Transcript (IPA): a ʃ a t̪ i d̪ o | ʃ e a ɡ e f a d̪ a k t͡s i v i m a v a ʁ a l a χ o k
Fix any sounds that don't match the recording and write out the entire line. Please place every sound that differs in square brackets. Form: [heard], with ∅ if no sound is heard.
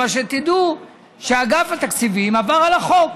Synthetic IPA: a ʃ [e] t̪ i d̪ [u] | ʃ e a ɡ [a] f a [t̪] a k t͡s i v i m a v a ʁ a l a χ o k